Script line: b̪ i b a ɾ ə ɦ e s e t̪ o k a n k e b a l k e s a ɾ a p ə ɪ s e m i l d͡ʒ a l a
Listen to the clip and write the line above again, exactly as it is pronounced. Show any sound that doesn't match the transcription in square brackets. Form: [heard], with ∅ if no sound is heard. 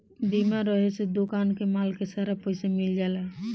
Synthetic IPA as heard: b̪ i [m] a ɾ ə ɦ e s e [d̪] o k a n k e [m] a l k e s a ɾ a p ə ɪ s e m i l d͡ʒ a l a